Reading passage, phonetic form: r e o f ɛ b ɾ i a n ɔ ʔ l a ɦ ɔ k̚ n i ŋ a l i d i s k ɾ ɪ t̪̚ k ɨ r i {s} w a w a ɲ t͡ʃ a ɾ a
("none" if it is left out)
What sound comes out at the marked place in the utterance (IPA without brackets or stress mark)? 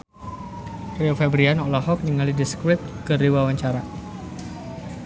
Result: none